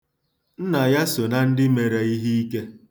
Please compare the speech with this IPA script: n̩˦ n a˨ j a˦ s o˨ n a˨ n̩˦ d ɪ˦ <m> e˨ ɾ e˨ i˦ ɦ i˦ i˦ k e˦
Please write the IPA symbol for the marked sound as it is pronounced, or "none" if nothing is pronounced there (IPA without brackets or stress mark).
m